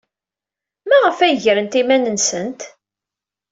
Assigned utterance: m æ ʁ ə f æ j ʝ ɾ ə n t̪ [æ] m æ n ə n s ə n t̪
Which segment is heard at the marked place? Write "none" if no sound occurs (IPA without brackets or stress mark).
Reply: i